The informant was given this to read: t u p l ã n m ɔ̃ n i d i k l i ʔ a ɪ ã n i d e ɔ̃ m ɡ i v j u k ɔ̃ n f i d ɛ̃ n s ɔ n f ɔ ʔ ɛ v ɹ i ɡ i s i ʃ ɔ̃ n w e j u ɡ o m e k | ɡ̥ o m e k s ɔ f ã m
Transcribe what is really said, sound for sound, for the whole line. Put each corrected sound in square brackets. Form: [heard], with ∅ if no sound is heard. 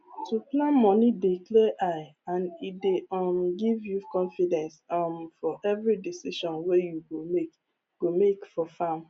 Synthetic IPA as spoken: t u p l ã n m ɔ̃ n i d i k l [ɛ] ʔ a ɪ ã n i d e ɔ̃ m ɡ i v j u k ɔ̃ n f i d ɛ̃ n s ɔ [m] f ɔ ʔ ɛ v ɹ i [d] i s i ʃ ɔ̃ n w e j u ɡ o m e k | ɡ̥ o m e k [f] ɔ f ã m